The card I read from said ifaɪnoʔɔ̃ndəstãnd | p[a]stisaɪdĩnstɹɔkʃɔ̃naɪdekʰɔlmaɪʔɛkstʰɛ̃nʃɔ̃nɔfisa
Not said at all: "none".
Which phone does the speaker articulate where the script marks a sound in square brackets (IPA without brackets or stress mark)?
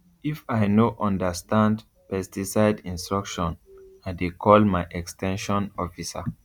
ɛ